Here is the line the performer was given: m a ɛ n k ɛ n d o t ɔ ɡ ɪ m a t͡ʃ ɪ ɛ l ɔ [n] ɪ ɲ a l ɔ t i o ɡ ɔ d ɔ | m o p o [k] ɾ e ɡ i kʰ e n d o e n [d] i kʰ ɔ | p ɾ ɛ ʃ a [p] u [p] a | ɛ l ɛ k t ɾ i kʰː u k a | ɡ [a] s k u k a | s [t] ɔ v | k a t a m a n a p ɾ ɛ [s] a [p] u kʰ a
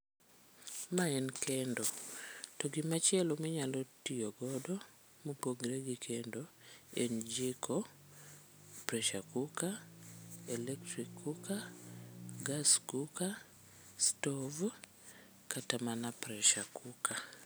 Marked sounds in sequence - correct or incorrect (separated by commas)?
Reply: incorrect, incorrect, incorrect, incorrect, incorrect, correct, correct, incorrect, incorrect